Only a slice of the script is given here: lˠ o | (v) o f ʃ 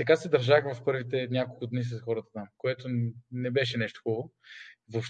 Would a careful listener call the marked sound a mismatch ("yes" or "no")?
no